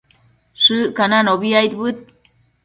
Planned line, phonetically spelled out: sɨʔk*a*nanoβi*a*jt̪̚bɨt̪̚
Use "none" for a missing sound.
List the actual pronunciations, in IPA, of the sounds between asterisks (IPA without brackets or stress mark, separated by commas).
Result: a, a